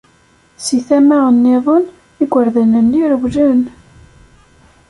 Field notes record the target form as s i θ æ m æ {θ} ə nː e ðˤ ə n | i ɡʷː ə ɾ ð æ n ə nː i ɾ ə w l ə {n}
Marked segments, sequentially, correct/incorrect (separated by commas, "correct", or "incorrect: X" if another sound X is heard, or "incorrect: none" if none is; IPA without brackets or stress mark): incorrect: none, correct